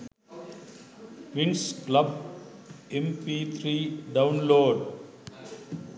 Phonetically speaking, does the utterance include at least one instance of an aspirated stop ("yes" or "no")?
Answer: yes